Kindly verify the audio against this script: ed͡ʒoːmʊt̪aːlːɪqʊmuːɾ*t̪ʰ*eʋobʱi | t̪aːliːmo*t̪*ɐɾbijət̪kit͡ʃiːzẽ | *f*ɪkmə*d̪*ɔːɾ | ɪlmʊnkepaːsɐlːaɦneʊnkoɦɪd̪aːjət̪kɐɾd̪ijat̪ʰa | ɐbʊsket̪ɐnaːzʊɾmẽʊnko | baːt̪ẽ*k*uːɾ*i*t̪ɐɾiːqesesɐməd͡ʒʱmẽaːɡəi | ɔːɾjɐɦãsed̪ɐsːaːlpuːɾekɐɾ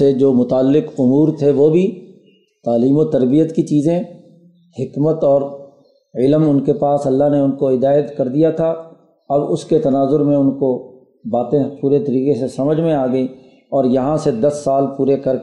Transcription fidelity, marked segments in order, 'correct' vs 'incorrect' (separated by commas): correct, correct, incorrect, incorrect, incorrect, incorrect